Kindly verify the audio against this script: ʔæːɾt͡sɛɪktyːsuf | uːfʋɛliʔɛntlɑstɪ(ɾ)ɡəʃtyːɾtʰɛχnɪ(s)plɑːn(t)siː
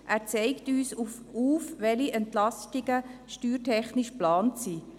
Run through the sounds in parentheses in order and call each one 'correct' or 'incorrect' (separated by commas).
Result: incorrect, incorrect, correct